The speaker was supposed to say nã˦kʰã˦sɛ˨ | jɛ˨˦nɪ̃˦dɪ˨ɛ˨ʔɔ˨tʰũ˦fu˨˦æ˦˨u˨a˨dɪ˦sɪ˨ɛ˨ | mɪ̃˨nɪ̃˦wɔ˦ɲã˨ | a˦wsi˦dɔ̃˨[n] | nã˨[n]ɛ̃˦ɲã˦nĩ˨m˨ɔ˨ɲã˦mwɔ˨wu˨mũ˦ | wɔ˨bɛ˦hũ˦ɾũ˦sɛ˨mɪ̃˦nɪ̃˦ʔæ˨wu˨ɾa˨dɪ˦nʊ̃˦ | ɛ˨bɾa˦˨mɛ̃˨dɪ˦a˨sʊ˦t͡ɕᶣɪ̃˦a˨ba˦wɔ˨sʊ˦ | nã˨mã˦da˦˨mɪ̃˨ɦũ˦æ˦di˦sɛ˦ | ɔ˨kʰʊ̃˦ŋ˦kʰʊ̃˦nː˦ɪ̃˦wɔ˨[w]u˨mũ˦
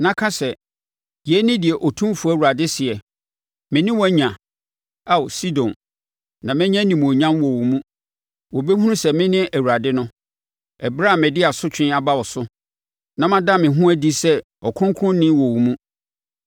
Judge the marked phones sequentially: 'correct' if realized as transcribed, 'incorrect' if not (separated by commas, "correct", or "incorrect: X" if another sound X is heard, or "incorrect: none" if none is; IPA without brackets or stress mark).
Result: correct, incorrect: m, correct